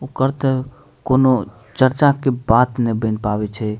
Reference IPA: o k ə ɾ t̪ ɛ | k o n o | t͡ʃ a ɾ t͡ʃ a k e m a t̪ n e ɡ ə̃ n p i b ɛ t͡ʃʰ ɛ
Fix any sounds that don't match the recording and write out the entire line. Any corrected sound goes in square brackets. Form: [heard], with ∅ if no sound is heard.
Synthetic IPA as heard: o k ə ɾ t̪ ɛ | k o n o | t͡ʃ [ə] ɾ t͡ʃ a k e [b] a t̪ n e [b] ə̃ n p [a] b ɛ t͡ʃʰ ɛ